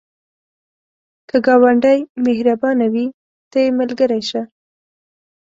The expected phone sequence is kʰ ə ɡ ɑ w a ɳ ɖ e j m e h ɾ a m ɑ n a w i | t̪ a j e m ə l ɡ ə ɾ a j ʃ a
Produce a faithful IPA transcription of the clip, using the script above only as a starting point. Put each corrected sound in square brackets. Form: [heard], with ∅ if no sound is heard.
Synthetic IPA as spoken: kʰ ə ɡ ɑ w a ɳ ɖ [a] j m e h ɾ a [b] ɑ n a w i | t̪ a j e m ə l ɡ ə ɾ a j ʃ a